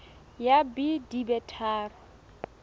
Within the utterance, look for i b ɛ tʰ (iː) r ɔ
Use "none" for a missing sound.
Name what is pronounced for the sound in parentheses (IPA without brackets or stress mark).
aː